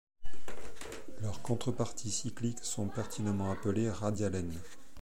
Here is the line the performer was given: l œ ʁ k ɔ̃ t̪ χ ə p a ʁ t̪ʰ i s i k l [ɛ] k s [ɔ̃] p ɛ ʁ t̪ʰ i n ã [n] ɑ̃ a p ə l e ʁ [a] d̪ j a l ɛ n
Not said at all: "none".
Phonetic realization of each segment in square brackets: i, ɔ̃, m, a

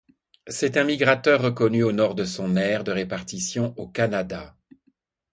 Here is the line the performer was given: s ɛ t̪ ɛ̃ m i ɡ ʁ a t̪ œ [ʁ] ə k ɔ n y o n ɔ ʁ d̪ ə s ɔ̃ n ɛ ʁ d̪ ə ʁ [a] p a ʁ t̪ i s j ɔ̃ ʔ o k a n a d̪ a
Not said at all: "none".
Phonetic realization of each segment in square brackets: ʁː, e

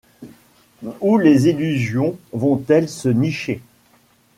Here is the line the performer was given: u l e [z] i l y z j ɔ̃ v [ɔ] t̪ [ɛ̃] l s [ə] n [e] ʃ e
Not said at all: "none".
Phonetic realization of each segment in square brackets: z, ɔ̃, ɛ, ə, i

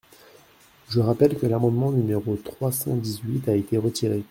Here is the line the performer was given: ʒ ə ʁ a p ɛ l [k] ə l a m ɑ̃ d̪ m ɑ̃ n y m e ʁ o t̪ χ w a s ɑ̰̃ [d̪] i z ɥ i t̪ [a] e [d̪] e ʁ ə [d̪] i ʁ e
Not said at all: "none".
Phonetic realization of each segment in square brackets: k, d̪, a, t̪, t̪

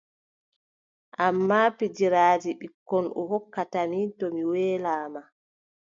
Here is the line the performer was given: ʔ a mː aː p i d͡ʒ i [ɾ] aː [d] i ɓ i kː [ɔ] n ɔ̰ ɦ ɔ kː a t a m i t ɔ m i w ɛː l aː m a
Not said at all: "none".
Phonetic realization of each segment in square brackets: ɾ, d͡ʒ, ɔ

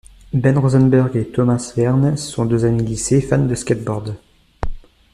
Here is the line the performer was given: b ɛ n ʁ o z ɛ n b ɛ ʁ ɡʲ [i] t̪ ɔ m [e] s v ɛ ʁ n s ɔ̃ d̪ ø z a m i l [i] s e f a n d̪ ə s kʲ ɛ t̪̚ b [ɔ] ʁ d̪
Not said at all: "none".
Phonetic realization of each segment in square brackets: e, a, i, ɔ

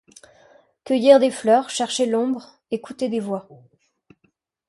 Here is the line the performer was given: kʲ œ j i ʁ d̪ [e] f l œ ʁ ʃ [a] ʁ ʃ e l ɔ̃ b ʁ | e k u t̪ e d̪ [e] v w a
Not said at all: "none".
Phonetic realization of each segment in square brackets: e, ɛ, e

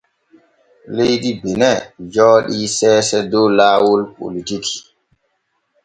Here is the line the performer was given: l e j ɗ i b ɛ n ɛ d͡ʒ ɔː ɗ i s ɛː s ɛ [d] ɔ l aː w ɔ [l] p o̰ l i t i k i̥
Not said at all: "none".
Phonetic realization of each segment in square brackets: d, l

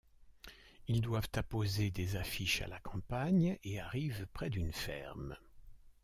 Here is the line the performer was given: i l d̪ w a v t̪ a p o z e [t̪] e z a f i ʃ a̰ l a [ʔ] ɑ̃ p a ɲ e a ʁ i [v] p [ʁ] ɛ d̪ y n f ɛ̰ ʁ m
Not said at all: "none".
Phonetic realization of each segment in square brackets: d̪, k, v, χ

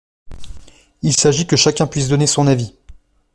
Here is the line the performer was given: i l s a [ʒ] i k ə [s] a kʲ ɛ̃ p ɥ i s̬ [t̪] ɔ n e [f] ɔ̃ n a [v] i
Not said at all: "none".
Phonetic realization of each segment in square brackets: ʒ, ʃ, d̪, s, v

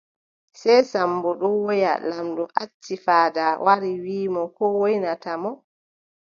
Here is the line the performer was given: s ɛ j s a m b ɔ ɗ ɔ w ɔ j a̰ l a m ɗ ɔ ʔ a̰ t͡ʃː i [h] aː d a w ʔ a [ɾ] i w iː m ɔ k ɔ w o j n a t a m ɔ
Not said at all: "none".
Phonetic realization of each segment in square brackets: f, ɾ

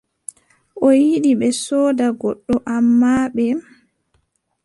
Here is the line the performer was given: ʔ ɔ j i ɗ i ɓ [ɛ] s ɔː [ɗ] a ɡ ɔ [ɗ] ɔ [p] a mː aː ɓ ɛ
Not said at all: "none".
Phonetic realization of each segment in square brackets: ɛ, d, ɗː, ʔ

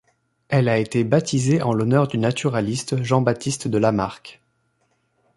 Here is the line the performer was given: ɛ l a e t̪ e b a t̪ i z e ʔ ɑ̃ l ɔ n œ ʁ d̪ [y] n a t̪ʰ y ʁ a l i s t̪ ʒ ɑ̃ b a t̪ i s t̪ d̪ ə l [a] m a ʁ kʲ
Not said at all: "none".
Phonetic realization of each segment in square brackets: y, a

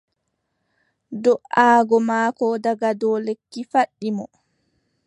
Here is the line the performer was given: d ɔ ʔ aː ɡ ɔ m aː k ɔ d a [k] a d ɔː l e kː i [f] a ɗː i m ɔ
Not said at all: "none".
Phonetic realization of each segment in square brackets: ɡ, f

